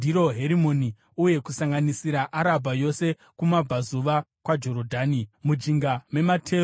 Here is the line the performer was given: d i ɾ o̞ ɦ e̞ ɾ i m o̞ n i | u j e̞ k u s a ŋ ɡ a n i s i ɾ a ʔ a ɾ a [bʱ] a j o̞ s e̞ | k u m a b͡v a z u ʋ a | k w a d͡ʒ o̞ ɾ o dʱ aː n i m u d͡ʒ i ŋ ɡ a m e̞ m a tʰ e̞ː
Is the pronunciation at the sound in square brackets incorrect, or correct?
correct